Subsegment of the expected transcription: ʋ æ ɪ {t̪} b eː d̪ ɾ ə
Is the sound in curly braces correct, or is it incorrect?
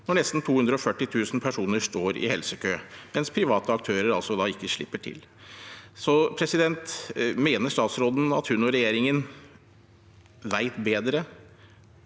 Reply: correct